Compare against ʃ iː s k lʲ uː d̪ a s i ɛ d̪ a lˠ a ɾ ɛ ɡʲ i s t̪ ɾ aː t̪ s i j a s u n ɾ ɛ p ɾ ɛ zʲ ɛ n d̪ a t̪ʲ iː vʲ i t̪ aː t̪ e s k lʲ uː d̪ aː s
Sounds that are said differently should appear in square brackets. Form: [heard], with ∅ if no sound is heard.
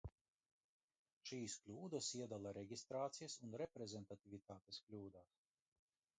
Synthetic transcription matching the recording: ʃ iː s k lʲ uː d̪ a s i ɛ d̪ a lˠ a ɾ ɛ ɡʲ i s t̪ ɾ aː t̪ s i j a s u n ɾ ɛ p ɾ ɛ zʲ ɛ n [t̪] a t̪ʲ [i] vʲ i t̪ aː t̪ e s k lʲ uː d̪ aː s